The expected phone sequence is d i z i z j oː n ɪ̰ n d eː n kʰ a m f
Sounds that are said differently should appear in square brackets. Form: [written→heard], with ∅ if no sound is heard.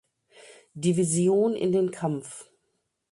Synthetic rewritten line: d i [z→v] i z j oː n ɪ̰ n d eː n kʰ a m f